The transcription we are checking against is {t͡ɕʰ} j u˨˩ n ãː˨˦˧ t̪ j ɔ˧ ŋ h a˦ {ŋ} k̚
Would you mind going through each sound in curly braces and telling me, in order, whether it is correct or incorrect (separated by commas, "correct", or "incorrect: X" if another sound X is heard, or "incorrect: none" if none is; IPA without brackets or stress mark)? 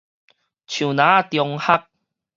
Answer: correct, incorrect: none